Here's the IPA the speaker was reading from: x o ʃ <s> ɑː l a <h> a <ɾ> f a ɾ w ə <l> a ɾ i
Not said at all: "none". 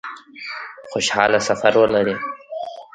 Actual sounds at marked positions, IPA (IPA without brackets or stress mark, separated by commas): h, s, none, l